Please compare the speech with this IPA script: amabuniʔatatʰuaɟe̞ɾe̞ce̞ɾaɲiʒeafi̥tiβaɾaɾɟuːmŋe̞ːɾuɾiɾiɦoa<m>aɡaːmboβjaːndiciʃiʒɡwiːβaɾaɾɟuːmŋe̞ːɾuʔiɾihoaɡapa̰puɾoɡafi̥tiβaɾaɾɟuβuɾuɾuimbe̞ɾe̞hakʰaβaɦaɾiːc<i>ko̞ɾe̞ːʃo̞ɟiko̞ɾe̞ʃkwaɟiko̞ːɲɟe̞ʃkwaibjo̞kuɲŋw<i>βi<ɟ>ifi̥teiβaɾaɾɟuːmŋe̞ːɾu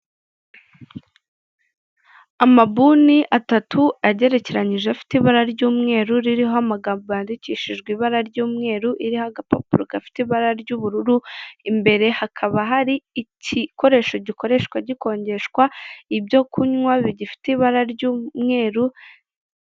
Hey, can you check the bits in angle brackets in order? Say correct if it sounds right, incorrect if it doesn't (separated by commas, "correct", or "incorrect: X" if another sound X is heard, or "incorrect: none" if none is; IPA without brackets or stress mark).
correct, correct, incorrect: a, correct